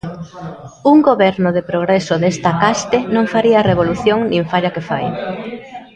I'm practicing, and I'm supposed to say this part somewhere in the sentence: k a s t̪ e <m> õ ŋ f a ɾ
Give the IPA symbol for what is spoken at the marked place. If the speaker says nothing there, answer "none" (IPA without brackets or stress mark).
n